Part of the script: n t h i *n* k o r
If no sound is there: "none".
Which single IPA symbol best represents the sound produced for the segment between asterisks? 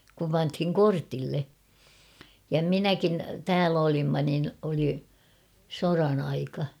ŋ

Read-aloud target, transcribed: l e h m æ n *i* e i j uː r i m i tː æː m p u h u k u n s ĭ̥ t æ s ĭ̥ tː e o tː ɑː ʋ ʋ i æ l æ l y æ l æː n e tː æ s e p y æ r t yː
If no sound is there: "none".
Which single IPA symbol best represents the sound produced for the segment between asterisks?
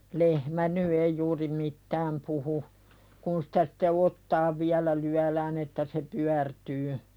y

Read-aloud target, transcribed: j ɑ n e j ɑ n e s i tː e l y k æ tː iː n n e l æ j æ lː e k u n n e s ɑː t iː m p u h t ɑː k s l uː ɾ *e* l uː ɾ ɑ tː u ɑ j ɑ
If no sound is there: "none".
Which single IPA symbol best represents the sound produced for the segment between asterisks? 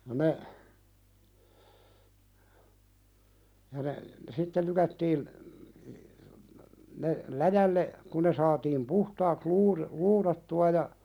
i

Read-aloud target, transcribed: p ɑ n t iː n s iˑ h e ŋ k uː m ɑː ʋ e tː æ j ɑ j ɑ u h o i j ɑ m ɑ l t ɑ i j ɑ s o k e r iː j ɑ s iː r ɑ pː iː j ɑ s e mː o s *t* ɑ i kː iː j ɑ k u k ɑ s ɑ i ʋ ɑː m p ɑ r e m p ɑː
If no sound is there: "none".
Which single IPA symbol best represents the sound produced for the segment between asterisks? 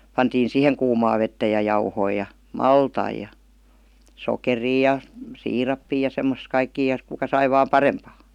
k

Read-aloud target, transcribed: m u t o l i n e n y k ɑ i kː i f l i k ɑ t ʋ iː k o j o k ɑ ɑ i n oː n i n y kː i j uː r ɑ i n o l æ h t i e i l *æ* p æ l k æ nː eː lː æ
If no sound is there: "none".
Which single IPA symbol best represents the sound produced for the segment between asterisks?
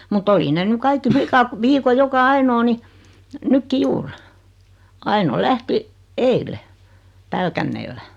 e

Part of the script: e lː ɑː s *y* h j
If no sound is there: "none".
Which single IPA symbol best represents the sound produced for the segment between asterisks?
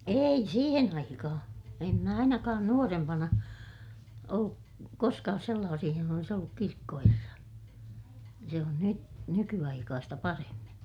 i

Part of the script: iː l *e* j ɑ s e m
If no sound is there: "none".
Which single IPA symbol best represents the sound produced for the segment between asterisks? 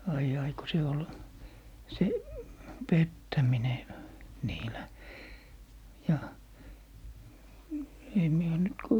æ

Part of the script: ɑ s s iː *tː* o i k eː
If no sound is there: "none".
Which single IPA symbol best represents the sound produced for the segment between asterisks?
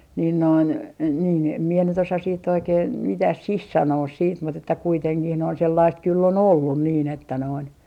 tː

